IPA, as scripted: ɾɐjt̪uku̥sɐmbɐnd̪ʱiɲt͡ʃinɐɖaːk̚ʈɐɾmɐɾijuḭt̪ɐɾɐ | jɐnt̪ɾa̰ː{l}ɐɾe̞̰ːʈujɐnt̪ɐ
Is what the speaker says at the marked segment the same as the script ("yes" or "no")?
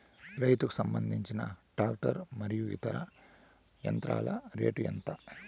yes